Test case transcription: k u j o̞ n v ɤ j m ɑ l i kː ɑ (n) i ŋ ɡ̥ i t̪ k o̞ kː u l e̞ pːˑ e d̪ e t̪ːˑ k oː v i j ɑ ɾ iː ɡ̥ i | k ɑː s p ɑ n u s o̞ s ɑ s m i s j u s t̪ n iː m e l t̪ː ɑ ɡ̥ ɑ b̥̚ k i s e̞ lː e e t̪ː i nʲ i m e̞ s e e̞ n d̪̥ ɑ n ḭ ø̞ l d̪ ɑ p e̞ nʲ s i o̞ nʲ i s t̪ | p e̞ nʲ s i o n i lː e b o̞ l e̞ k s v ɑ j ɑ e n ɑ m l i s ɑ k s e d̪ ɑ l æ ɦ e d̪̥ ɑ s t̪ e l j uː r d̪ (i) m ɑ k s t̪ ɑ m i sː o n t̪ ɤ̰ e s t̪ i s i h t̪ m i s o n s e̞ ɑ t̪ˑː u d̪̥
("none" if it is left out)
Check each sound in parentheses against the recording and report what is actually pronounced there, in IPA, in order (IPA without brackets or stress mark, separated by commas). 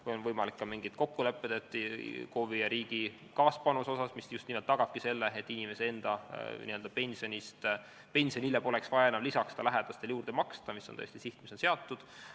m, e